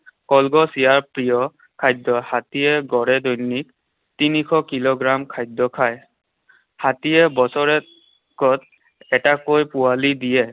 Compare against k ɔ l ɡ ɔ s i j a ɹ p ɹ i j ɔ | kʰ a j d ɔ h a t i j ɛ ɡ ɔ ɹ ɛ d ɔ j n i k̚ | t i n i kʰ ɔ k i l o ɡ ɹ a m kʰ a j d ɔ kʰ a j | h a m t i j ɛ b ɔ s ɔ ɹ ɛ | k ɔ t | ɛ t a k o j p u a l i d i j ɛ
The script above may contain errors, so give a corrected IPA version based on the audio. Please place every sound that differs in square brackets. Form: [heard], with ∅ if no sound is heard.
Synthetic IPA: k ɔ l ɡ ɔ s i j a ɹ p ɹ i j ɔ | kʰ a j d ɔ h a t i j ɛ ɡ ɔ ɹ ɛ d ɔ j n i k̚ | t i n i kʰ ɔ k i l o ɡ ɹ a m kʰ a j d ɔ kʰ a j | h a [∅] t i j ɛ b ɔ s ɔ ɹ ɛ | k ɔ t | ɛ t a k o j p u a l i d i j ɛ